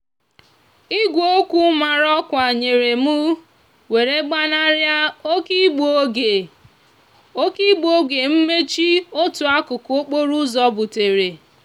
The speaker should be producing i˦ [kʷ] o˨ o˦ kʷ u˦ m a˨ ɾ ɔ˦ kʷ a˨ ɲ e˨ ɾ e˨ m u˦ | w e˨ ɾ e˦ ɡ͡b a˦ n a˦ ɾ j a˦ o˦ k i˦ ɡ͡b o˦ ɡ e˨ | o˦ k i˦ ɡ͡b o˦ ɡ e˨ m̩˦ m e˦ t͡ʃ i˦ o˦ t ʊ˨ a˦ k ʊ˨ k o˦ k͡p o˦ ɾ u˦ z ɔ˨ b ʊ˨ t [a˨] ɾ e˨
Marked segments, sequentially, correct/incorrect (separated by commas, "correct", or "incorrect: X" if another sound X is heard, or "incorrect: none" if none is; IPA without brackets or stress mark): incorrect: ɡʷ, incorrect: e˨